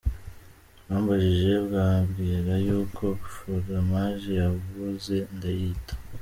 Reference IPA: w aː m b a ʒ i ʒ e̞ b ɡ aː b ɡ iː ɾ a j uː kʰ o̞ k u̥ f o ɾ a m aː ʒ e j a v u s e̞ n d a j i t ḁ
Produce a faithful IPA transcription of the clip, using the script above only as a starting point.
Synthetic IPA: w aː m b a ʒ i ʒ e̞ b ɡ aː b ɡ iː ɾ a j uː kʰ o̞ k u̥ ʃ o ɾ a m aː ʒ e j a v u z e̞ n d a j i t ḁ